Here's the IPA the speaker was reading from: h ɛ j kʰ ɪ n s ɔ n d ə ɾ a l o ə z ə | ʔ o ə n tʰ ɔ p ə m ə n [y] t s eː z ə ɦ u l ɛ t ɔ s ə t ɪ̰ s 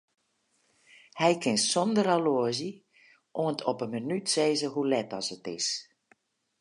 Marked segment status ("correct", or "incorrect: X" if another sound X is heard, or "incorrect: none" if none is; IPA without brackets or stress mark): correct